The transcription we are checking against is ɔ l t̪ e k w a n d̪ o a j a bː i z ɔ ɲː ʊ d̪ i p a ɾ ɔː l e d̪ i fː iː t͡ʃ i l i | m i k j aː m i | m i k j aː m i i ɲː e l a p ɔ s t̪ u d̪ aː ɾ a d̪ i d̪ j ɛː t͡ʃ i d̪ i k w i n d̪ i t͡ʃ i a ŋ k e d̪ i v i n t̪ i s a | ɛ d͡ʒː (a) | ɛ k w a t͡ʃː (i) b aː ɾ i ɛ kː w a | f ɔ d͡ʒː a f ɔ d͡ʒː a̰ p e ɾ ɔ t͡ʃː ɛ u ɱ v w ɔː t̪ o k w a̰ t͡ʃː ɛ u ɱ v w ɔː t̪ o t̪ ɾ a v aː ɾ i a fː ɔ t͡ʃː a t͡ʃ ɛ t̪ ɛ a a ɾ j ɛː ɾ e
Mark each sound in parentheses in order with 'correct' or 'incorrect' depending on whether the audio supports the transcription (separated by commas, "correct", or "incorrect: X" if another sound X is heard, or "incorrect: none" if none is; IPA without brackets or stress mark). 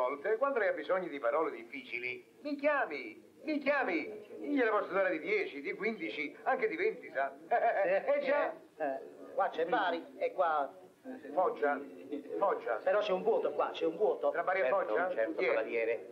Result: correct, incorrect: ɛ